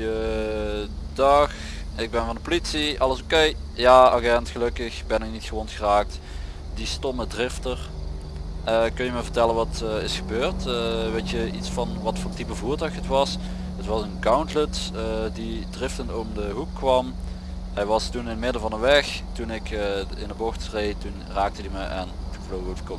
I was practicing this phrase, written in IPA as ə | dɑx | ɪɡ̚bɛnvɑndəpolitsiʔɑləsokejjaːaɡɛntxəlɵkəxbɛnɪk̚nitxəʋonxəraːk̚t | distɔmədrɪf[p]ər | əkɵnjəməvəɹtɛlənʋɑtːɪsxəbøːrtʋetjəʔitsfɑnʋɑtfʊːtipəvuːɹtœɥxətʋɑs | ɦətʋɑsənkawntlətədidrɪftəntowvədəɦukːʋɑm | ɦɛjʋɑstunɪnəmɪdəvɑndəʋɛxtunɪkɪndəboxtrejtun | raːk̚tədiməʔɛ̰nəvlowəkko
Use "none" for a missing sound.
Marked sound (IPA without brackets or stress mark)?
t